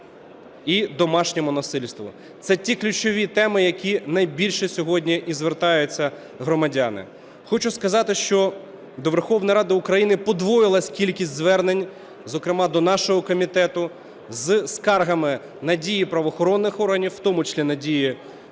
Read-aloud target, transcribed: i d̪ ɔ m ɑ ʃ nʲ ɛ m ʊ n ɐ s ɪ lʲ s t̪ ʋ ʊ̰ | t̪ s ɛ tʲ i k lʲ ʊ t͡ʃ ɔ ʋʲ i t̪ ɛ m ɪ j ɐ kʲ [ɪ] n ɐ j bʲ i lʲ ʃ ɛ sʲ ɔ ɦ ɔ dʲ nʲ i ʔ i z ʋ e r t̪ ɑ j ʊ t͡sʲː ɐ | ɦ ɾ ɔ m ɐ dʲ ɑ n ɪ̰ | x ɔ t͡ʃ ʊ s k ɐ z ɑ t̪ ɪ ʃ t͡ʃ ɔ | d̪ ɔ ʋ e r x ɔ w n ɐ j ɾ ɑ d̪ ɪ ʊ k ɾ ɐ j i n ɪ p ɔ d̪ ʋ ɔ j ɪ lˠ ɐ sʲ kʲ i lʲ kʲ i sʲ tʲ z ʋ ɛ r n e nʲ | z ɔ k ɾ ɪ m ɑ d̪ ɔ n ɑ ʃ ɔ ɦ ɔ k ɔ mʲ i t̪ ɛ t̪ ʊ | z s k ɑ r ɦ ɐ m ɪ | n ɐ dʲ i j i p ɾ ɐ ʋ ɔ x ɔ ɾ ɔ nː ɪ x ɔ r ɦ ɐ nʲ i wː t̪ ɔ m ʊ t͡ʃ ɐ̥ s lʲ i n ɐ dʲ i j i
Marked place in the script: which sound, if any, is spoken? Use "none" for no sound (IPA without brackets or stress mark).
i